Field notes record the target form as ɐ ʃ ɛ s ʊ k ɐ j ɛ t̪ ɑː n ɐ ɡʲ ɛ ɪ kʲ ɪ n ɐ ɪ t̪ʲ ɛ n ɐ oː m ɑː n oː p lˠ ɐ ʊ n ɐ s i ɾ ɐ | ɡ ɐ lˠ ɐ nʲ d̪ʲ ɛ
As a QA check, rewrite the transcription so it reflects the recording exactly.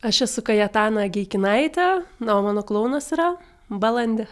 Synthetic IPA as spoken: ɐ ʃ ɛ s ʊ k ɐ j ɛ t̪ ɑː n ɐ ɡʲ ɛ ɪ kʲ ɪ n ɐ ɪ t̪ʲ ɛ n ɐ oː m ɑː n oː k lˠ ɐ ʊ n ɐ s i ɾ ɐ | b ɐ lˠ ɐ nʲ d̪ʲ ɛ